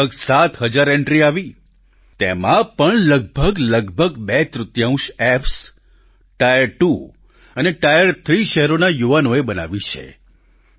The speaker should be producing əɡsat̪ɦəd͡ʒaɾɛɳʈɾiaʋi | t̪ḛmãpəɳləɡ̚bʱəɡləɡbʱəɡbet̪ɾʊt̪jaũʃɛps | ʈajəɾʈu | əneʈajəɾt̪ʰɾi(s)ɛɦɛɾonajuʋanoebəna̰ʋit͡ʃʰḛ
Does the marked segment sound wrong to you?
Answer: yes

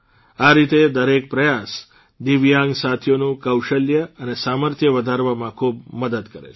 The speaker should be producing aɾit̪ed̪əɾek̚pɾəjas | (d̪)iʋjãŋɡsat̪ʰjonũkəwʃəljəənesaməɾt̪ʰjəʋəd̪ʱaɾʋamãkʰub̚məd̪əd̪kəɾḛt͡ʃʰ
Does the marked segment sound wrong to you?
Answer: no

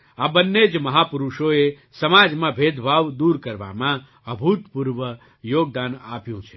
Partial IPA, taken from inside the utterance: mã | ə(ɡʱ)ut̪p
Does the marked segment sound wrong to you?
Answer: yes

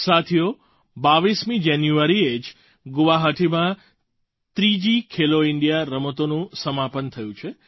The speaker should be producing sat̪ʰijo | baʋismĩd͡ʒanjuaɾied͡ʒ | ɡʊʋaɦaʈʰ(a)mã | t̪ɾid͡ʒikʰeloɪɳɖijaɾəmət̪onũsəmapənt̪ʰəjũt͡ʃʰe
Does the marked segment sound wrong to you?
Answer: yes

